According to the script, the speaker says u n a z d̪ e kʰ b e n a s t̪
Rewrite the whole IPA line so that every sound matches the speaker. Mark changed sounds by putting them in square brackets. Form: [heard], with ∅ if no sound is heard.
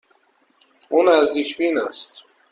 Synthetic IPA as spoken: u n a z d̪ [i] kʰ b [i] n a s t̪